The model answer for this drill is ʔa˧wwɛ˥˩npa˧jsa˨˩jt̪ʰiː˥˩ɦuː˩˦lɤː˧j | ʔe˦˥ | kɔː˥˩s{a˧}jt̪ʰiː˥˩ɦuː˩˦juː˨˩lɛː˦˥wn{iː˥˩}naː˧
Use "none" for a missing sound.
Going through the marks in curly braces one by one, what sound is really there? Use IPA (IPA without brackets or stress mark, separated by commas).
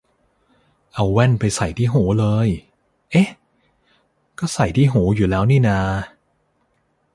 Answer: a˨˩, iː˥˩